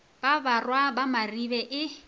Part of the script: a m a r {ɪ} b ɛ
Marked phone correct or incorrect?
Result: incorrect